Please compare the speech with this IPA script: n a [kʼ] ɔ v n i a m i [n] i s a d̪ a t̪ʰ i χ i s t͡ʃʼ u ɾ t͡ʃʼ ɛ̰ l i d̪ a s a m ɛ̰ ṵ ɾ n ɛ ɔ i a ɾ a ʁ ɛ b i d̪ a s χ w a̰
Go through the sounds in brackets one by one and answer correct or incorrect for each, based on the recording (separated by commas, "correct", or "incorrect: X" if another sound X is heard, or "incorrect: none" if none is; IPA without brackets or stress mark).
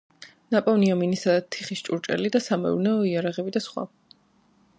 incorrect: pʼ, correct